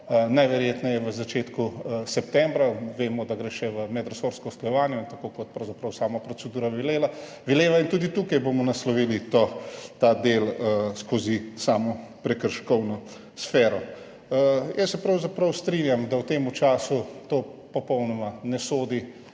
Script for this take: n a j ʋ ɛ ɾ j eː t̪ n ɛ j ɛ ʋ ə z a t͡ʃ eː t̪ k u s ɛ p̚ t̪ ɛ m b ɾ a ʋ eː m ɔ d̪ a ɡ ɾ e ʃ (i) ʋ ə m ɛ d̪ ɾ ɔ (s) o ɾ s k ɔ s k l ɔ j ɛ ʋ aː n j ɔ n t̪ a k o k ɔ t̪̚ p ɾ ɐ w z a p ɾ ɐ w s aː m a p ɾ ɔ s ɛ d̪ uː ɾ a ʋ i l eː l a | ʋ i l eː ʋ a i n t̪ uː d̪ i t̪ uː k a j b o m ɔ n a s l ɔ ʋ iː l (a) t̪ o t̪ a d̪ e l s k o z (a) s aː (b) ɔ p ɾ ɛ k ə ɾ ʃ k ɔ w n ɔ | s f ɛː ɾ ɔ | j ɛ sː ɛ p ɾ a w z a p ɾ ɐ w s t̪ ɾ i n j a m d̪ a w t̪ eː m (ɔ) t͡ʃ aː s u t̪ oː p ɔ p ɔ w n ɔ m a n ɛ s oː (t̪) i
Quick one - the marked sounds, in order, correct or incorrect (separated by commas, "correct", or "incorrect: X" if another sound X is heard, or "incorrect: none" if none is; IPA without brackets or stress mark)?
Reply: incorrect: ɛ, correct, incorrect: i, incorrect: i, incorrect: m, incorrect: u, incorrect: d̪